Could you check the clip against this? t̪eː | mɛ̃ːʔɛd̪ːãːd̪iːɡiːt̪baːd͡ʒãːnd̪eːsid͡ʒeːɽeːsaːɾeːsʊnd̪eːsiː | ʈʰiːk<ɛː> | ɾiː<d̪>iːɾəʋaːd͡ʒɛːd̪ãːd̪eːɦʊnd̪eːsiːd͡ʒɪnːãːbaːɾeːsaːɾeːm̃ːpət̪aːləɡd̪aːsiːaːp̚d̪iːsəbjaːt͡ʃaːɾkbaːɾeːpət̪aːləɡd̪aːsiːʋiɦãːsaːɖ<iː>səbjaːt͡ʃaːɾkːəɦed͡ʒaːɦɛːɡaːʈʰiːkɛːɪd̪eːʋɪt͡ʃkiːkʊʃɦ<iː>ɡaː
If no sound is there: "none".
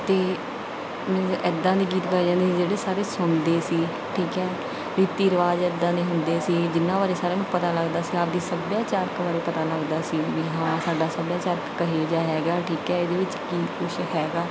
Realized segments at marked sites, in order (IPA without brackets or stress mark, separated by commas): ɛː, t̪, aː, ɛː